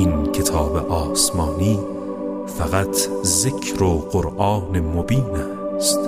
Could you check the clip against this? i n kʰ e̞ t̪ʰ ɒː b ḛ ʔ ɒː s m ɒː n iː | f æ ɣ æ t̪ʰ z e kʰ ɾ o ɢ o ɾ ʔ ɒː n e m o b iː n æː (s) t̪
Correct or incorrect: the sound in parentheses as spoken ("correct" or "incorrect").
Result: correct